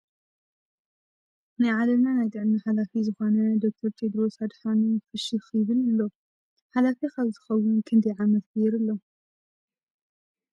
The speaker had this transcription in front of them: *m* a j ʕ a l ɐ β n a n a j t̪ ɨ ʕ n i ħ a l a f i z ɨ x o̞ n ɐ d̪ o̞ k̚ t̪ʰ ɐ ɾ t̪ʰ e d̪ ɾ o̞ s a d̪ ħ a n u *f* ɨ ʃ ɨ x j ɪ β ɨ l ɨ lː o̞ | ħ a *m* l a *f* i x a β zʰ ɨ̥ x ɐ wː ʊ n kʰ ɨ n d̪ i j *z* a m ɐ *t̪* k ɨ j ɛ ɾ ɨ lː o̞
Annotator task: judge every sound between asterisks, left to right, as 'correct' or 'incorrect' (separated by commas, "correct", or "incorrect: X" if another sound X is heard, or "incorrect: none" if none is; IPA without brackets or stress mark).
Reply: incorrect: n, correct, incorrect: none, correct, incorrect: ʕ, correct